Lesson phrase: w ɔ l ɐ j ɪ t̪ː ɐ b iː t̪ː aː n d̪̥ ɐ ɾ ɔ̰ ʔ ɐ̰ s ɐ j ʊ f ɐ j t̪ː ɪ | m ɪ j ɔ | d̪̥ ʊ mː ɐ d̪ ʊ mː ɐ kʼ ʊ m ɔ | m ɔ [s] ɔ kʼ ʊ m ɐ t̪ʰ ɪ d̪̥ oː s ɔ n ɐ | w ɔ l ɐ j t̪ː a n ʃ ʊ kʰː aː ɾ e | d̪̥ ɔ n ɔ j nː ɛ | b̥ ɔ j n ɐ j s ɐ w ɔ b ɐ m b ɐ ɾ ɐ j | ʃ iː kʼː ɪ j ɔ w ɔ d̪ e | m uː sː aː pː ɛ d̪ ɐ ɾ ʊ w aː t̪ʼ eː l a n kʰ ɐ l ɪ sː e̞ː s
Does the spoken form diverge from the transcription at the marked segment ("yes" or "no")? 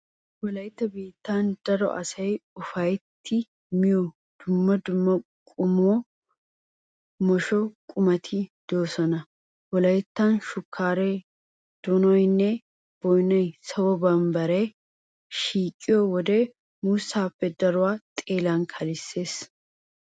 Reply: yes